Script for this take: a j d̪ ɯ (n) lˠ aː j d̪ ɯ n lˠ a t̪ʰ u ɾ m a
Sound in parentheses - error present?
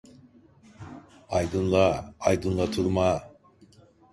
no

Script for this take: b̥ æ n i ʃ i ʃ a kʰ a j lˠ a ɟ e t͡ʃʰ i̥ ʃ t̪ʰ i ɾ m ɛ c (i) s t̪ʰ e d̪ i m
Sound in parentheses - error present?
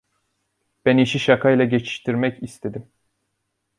no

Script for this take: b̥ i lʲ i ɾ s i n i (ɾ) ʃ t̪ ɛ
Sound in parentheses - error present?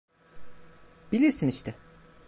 yes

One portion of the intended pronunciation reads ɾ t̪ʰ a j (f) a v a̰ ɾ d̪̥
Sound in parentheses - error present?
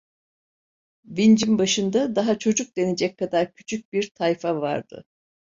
no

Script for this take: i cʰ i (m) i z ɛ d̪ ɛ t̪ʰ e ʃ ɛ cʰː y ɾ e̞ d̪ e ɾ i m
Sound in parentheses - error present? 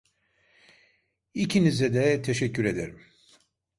yes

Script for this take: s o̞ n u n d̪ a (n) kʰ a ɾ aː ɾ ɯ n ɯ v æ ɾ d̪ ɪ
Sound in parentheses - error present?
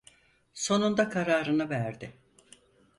yes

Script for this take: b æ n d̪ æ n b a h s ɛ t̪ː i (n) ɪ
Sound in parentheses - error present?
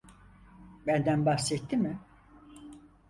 yes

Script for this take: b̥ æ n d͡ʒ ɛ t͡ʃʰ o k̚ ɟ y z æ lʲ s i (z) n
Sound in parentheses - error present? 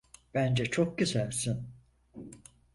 yes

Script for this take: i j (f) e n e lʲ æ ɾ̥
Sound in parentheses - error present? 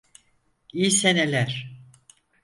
yes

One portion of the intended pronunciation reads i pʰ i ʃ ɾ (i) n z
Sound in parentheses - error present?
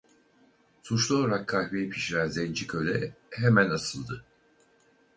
yes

